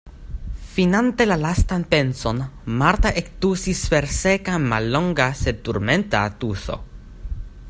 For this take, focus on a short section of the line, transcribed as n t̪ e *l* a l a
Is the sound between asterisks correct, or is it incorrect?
correct